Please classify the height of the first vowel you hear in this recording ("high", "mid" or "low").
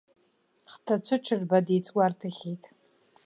low